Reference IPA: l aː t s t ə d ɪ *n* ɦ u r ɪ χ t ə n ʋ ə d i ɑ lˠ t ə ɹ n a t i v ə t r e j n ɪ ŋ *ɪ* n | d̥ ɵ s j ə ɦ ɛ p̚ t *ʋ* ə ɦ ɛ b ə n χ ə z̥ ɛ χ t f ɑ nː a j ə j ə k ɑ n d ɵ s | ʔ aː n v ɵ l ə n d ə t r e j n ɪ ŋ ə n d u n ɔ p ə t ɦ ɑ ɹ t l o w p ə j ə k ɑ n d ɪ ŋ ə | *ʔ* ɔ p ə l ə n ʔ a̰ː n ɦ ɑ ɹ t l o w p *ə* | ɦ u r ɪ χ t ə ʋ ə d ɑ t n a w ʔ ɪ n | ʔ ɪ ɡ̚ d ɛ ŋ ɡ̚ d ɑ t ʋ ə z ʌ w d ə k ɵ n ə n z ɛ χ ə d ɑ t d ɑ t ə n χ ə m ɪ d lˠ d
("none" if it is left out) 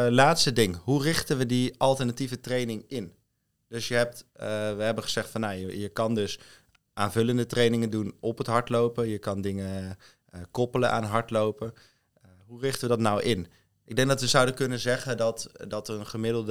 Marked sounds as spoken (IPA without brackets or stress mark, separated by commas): ŋ, ɪ, ʋ, k, ə